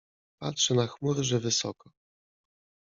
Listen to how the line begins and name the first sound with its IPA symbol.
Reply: p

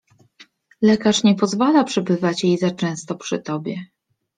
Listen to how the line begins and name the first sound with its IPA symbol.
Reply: l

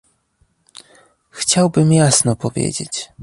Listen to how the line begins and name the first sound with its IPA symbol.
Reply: x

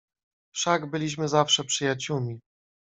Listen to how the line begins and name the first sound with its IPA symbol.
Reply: f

